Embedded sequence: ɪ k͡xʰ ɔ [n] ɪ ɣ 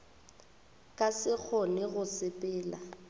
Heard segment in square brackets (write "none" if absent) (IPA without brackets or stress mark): n